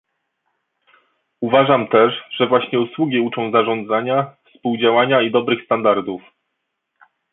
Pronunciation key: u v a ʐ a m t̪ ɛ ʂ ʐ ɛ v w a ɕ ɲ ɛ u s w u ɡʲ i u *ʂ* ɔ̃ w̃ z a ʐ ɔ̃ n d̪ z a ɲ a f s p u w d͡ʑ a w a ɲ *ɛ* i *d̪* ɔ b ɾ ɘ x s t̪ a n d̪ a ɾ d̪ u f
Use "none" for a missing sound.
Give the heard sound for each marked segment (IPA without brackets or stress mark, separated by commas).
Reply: t͡ʂ, a, d̪